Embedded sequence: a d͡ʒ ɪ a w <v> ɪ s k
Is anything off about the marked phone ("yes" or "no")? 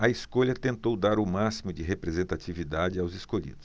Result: yes